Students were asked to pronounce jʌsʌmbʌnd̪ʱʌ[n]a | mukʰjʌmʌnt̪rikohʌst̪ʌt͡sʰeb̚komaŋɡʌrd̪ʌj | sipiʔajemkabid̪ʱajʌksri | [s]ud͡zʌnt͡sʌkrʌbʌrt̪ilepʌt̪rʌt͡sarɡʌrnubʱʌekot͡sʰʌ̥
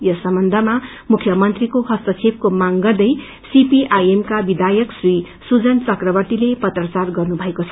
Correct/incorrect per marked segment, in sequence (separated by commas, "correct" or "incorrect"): incorrect, correct